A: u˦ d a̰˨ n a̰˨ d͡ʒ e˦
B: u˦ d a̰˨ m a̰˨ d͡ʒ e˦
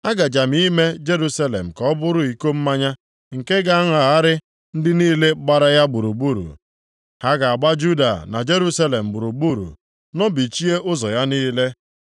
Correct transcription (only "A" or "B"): A